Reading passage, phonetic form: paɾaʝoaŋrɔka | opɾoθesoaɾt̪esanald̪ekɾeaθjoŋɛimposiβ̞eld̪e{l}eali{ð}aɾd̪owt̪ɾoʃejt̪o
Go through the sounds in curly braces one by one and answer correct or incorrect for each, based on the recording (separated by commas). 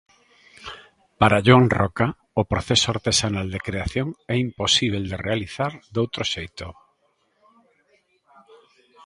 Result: incorrect, incorrect